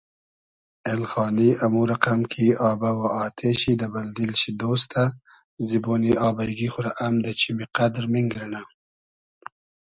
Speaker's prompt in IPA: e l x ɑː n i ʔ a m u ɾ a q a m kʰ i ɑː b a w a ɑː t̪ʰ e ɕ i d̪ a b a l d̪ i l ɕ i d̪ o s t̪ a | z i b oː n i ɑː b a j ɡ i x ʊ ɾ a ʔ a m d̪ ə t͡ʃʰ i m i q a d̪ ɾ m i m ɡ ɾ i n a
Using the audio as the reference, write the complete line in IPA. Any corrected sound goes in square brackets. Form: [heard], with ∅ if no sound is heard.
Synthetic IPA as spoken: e l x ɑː n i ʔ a m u ɾ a q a m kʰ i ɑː b a w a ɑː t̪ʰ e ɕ i d̪ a b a l d̪ i l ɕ i d̪ o s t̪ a | z i b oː n i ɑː b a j ɡ i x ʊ ɾ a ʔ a m d̪ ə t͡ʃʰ i m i q a d̪ ɾ m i [ŋ] ɡ ɾ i n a

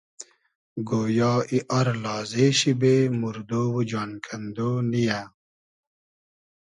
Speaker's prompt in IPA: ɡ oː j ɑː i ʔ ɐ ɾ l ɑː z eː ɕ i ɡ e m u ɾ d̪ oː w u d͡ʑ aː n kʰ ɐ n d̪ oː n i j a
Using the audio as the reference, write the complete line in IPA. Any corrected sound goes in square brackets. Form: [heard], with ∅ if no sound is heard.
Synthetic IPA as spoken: ɡ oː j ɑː i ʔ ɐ ɾ l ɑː z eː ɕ i [b] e m u ɾ d̪ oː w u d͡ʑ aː n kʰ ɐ n d̪ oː n i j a

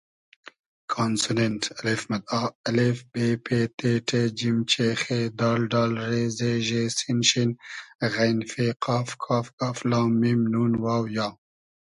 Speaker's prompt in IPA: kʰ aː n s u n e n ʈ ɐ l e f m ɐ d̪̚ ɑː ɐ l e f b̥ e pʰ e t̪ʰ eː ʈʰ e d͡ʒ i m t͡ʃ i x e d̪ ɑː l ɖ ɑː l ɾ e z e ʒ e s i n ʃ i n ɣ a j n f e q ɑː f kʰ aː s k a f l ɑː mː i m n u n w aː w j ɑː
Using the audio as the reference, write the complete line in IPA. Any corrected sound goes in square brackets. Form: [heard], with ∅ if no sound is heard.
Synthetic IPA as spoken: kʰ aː n s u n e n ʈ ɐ l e f m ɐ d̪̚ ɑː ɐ l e f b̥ e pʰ e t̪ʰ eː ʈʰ e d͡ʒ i m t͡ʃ [e] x e d̪ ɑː l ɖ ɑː l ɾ e z e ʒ e s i n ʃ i n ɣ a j n f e q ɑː f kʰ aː [f] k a f l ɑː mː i m n u n w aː w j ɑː

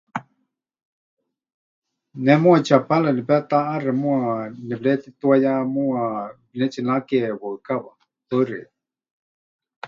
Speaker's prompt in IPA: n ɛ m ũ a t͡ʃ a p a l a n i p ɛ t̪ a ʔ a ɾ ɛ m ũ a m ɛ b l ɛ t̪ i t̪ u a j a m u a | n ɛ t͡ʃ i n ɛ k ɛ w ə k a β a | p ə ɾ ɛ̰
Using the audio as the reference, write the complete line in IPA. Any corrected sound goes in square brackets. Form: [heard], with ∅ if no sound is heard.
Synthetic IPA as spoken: n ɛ m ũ a t͡ʃ a p a l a n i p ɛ t̪ a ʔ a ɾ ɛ m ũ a [n] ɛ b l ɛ t̪ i t̪ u a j a m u a | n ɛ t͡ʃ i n [a] k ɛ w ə k a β a | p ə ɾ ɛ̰

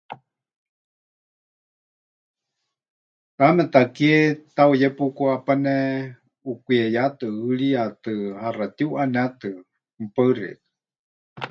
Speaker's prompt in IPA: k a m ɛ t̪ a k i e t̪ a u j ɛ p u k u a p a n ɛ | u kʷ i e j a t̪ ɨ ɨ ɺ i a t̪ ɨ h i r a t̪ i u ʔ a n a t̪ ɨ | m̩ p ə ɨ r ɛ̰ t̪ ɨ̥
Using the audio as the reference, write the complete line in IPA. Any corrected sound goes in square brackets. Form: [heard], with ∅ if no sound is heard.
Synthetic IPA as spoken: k a m ɛ t̪ a k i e t̪ a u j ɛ p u k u a p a n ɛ | u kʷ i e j a t̪ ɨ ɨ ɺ i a t̪ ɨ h [a] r a t̪ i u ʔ a n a t̪ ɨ | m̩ p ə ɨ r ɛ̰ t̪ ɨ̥

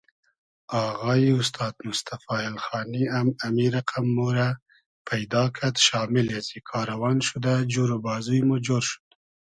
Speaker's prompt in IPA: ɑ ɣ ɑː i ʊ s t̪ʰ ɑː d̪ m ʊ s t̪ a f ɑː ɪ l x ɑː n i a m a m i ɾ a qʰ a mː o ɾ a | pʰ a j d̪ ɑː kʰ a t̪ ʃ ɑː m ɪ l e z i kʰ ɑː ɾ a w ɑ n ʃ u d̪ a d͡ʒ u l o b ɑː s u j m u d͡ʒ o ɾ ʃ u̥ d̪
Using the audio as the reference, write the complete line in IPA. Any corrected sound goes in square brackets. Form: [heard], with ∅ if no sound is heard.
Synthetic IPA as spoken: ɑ ɣ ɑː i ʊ s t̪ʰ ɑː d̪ m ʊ s t̪ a f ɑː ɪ l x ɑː n i a m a m i ɾ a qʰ a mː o ɾ a | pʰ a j d̪ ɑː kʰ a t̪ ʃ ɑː m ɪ l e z i kʰ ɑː ɾ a w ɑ n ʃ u d̪ a d͡ʒ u [ɾ] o b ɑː [z] u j m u d͡ʒ o ɾ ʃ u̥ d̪

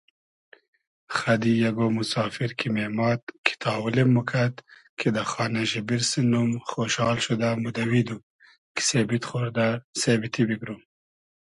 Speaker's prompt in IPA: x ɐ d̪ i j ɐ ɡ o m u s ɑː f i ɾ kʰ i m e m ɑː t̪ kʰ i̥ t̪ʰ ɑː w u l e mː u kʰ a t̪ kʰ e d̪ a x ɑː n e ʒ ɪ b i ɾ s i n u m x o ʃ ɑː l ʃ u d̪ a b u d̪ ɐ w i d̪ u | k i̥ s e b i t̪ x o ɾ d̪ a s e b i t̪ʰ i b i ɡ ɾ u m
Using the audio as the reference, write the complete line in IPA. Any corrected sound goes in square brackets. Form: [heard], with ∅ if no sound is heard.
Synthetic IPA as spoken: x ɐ d̪ i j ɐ ɡ o m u s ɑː f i ɾ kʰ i m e m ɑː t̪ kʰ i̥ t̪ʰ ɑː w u l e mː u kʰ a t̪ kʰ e d̪ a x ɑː n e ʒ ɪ b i ɾ s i n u m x o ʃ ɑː l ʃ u d̪ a [m] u d̪ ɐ w i d̪ u | k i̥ s e b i t̪ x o ɾ d̪ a s e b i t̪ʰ i b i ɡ ɾ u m

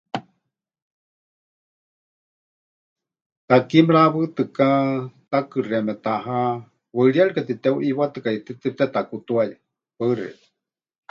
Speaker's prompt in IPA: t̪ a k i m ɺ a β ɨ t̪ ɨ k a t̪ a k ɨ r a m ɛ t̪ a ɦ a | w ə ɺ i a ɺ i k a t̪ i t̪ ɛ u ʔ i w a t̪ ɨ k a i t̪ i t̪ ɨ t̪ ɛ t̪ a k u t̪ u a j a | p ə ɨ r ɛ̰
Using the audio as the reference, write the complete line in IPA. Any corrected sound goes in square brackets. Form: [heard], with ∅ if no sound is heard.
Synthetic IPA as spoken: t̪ a k i m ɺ a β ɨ t̪ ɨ k a t̪ a k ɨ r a m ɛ t̪ a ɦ a | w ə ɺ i a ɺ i k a t̪ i t̪ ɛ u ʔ i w a t̪ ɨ k a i t̪ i t̪ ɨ t̪ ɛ t̪ a k u t̪ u a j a | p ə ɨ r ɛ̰

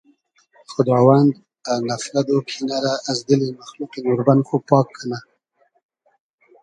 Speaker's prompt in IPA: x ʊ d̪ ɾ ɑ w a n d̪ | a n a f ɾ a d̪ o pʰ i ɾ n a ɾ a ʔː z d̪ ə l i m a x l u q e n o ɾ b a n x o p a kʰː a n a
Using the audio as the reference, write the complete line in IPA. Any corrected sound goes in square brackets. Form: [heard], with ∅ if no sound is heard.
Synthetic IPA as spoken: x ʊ d̪ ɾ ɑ w a n d̪ | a n a f ɾ a d̪ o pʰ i [∅] n a ɾ a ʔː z d̪ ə l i m a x l u q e n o ɾ b a n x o p [ɑ] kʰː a n a

